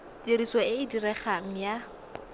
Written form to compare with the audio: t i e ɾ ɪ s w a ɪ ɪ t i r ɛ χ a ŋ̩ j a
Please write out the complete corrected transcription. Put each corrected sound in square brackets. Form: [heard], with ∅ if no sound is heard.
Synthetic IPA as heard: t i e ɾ [i] s w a ɪ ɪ [d] i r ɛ χ a ŋ̩ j a